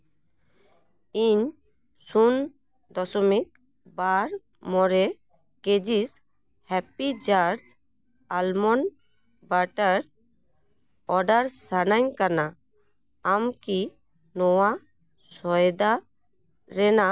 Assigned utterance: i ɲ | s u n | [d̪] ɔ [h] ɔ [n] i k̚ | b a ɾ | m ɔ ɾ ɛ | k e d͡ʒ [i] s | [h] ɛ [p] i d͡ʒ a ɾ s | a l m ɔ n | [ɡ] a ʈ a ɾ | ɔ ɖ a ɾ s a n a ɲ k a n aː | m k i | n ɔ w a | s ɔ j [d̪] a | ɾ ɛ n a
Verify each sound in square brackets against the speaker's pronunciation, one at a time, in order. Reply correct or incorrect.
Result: correct, incorrect, incorrect, correct, correct, correct, incorrect, correct

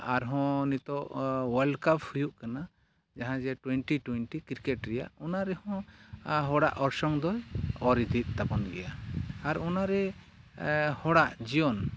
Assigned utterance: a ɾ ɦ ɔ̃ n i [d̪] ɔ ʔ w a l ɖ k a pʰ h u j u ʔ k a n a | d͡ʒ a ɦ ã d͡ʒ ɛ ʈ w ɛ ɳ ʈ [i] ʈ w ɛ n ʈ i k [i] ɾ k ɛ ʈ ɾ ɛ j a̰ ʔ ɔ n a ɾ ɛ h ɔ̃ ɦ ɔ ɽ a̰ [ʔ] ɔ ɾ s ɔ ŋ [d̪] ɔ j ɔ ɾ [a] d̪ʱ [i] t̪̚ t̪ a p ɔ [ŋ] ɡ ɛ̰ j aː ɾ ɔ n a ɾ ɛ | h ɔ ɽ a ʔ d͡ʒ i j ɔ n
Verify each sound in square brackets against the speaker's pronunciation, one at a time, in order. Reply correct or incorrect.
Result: incorrect, correct, correct, correct, correct, incorrect, correct, incorrect

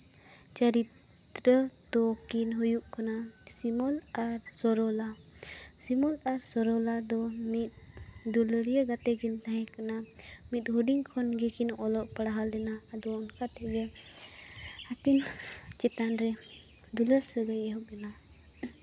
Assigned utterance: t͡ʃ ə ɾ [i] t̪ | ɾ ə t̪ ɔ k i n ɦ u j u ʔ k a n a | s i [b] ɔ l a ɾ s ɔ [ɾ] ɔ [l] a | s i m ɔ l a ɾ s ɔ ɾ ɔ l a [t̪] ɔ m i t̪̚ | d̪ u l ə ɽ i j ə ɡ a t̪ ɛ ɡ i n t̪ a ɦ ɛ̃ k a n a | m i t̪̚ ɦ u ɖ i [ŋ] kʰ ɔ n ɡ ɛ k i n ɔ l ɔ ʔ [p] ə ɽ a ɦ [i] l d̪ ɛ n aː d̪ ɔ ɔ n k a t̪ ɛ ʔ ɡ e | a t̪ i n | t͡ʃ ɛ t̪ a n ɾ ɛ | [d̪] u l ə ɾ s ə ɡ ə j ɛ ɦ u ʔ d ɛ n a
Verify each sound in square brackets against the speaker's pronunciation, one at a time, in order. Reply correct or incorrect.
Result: correct, incorrect, correct, correct, incorrect, correct, correct, incorrect, correct

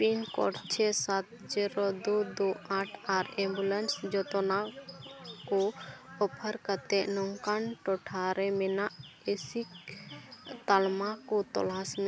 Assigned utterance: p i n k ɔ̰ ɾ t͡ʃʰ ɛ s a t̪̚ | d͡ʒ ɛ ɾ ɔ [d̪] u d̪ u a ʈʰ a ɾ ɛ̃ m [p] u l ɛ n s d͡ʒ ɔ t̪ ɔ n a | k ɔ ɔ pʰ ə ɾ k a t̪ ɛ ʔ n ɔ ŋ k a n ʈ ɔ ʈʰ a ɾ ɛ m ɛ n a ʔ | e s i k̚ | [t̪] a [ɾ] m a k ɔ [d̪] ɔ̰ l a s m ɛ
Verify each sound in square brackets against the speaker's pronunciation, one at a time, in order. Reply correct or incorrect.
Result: correct, incorrect, correct, incorrect, incorrect

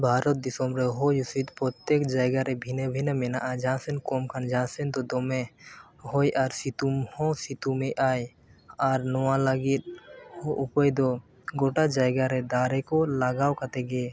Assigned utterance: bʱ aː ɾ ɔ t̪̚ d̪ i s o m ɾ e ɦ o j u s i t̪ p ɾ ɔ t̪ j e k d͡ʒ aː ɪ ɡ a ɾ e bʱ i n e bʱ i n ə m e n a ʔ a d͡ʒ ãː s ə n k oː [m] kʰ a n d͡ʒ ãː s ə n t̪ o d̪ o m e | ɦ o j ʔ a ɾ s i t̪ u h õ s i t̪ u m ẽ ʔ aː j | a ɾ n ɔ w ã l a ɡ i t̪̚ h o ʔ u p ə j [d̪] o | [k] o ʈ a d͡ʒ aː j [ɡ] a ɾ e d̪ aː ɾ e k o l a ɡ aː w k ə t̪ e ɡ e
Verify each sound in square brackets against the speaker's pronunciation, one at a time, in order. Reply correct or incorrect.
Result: correct, correct, incorrect, correct

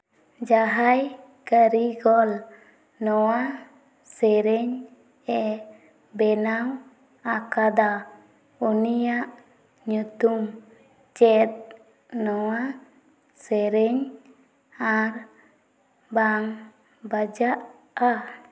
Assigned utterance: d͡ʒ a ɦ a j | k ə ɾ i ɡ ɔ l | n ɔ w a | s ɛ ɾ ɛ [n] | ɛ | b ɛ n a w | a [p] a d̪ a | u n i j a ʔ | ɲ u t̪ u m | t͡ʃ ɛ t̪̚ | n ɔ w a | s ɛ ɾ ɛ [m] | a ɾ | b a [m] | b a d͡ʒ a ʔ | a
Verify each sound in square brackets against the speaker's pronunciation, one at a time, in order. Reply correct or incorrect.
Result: incorrect, incorrect, incorrect, incorrect

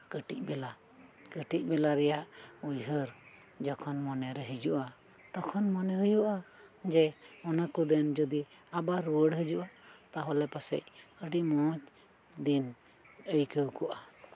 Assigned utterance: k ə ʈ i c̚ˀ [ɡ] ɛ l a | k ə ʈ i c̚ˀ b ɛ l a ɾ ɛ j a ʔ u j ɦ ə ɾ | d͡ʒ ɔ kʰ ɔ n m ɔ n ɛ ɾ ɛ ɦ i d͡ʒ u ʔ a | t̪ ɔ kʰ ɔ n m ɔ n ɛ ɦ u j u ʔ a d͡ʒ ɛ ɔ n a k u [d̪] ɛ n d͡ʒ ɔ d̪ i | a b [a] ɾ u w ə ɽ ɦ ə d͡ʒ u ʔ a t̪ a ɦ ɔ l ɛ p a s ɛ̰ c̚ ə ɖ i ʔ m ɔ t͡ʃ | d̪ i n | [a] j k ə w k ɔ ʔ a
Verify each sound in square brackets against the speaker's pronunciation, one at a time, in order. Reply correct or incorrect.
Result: incorrect, correct, correct, incorrect

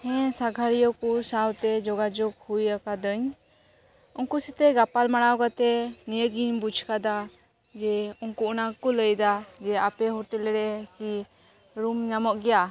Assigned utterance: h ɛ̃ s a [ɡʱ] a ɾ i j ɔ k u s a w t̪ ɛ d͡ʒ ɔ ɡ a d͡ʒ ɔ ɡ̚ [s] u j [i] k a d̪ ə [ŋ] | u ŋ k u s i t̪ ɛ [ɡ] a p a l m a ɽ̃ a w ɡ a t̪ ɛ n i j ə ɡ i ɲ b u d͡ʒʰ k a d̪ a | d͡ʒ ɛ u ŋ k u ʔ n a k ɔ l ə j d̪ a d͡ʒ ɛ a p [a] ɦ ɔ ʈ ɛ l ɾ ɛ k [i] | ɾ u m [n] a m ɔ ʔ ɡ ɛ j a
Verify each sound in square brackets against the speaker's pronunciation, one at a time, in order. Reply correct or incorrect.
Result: correct, incorrect, incorrect, incorrect, correct, incorrect, correct, incorrect

